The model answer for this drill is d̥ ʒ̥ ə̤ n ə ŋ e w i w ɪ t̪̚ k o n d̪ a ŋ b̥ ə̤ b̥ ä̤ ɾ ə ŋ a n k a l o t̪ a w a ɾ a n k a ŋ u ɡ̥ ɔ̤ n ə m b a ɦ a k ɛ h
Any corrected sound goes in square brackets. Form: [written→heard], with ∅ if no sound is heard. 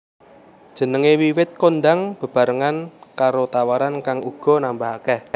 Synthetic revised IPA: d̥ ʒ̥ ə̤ n ə ŋ e w i w ɪ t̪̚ k o n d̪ a ŋ b̥ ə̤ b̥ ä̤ ɾ ə ŋ a n k a [l→ɾ] o t̪ a w a ɾ a n k a ŋ u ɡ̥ ɔ̤ n [ə→a] m b a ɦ a k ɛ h